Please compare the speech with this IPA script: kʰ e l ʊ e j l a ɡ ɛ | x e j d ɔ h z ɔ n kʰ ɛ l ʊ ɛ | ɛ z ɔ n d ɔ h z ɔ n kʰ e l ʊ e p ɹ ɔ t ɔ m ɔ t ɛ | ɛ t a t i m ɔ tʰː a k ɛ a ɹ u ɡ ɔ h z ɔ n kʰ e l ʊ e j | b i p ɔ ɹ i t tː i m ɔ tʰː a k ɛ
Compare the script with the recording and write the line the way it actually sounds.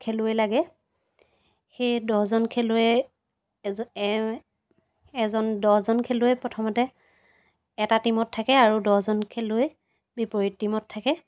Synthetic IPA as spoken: kʰ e l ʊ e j l a ɡ ɛ | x e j d ɔ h z ɔ n kʰ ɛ l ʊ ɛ | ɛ z ɔ n d ɔ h z ɔ n kʰ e l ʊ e p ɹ ɔ tʰ ɔ m ɔ t ɛ | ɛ t a t i m ɔ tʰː a k ɛ a ɹ u d ɔ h z ɔ n kʰ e l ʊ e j | b i p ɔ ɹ i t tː i m ɔ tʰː a k ɛ